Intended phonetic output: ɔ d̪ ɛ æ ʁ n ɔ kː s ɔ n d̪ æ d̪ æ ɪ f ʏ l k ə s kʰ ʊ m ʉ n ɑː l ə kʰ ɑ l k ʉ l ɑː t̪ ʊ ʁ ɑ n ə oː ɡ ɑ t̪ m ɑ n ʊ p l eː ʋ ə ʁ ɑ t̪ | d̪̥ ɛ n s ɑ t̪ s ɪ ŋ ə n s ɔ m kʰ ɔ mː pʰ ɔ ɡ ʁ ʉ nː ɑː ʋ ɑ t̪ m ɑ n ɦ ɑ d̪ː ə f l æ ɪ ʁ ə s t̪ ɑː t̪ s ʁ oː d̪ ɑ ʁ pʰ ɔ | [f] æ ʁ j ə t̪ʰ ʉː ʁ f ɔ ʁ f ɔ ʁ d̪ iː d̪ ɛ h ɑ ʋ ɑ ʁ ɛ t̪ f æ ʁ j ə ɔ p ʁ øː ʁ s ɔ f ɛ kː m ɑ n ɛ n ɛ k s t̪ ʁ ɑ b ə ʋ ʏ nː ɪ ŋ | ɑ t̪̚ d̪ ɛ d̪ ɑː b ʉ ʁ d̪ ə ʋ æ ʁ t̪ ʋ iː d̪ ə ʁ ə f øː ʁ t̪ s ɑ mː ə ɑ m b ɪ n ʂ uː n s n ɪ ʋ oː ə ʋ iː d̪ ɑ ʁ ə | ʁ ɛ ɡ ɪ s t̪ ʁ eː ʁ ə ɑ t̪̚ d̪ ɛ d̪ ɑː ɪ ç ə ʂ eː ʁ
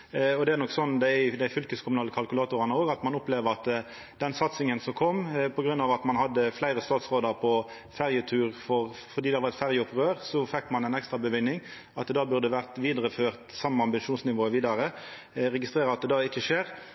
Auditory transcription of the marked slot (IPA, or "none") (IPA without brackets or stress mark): f